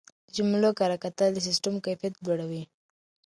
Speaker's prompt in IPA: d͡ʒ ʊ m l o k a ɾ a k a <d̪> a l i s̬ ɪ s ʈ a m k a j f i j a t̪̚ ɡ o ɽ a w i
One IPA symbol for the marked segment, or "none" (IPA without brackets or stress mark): t̪